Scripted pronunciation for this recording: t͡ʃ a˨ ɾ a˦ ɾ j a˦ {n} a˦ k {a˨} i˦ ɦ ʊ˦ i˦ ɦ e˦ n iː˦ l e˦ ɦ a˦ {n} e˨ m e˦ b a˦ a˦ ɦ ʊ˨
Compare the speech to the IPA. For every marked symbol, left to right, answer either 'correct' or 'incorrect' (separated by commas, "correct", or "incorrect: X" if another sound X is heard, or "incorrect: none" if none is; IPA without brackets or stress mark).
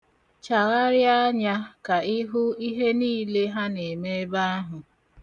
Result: incorrect: ɲ, correct, correct